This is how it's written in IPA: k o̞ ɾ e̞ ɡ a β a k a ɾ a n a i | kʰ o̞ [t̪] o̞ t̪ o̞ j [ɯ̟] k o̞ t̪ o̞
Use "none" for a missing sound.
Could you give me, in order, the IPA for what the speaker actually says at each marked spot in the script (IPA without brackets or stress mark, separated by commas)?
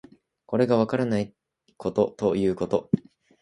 t̪, ɯ̟ː